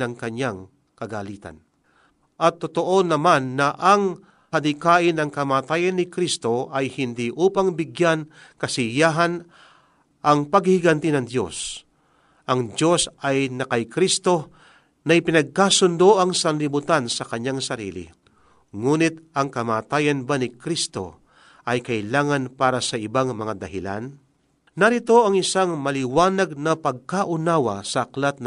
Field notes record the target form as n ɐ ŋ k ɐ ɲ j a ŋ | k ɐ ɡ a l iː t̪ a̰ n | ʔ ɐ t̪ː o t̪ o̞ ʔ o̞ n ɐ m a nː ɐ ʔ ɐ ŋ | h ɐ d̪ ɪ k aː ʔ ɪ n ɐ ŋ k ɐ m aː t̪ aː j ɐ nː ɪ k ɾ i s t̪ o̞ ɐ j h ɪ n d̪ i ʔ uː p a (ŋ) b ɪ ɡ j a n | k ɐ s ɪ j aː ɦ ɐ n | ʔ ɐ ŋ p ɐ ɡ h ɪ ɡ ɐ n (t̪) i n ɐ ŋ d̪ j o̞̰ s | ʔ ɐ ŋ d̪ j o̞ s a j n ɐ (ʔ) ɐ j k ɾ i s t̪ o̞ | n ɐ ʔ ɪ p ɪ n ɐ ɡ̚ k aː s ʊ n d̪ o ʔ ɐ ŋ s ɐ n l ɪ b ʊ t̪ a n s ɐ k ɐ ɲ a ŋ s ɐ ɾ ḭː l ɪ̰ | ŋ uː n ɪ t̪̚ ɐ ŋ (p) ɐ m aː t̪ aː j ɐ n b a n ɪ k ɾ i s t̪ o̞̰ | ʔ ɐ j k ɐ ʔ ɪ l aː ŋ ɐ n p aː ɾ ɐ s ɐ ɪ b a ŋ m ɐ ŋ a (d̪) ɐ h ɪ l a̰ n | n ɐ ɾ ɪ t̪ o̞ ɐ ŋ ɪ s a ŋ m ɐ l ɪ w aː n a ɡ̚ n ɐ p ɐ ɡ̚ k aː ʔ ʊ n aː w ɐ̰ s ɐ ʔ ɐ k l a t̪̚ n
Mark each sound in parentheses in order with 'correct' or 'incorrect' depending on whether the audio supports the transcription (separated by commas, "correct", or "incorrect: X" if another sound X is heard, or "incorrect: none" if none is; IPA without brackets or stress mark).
correct, correct, incorrect: k, incorrect: k, correct